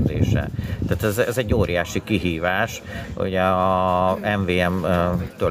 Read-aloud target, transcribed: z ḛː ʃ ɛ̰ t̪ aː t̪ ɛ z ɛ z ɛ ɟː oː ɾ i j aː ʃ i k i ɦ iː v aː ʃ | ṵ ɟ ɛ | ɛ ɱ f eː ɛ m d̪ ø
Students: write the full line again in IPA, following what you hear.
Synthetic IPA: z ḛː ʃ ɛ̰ t̪ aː t̪ ɛ z ɛ z ɛ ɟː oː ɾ i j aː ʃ i k i ɦ iː v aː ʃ | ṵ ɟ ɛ | ɛ ɱ v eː ɛ m t̪ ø